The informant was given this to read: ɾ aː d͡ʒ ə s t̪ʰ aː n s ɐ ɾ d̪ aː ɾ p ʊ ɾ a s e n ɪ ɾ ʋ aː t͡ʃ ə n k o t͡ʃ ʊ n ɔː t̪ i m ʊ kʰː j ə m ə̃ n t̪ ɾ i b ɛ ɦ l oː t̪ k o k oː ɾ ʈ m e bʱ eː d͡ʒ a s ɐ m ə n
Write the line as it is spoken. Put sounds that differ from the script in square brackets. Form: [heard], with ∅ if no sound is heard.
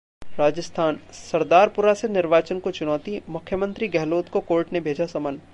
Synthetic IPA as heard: ɾ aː d͡ʒ ə s t̪ʰ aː n s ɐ ɾ d̪ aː ɾ p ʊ ɾ a s e n ɪ ɾ ʋ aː t͡ʃ ə n k o t͡ʃ ʊ n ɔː t̪ i m ʊ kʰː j ə m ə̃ n t̪ ɾ i [ɡ] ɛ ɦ l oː t̪ k o k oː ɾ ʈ [n] e bʱ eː d͡ʒ a s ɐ m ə n